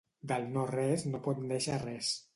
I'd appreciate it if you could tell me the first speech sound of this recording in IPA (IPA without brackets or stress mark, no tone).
d̪